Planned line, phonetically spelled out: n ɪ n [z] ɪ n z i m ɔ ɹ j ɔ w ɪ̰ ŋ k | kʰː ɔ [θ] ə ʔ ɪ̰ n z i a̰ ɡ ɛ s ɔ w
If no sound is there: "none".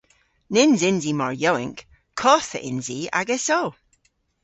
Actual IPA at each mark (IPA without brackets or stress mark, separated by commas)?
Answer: z, θ